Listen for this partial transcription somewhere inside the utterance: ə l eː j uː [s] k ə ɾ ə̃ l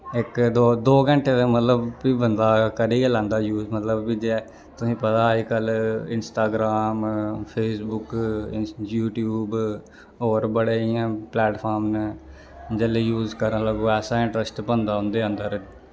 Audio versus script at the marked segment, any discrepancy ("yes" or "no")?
yes